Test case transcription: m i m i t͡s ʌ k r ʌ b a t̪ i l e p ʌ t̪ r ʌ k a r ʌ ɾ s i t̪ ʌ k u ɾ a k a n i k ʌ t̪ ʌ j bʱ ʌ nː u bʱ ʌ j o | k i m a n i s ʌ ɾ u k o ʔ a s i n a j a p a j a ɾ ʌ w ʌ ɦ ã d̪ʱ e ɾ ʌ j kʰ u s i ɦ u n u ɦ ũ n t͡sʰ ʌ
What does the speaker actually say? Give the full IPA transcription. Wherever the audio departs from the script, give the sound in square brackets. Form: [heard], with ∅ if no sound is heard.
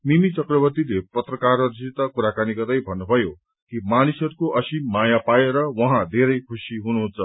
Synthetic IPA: m i m i t͡s ʌ k r ʌ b [ʌ] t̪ i l e p ʌ t̪ r ʌ k a r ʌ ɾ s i t̪ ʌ k u ɾ a k a n i k ʌ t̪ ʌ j bʱ ʌ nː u bʱ ʌ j o | k i m a n i s ʌ ɾ u k o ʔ [ʌ] s i [m] a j a p a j [e] ɾ ʌ w ʌ ɦ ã d̪ʱ e ɾ ʌ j kʰ u s i ɦ u n u ɦ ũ n t͡sʰ ʌ